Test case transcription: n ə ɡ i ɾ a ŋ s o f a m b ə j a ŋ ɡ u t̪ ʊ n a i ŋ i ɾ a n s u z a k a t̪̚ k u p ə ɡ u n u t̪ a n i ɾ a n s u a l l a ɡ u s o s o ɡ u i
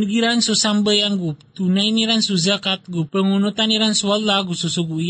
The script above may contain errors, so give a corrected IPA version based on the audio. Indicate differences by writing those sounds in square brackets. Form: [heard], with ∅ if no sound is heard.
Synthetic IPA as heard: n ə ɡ i ɾ a [n] s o [s] a m b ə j a ŋ ɡ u t̪ [u] n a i [n] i ɾ a n s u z a k a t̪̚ [ɡ] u p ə [ŋ] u n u t̪ a n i ɾ a n s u a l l a ɡ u s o s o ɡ u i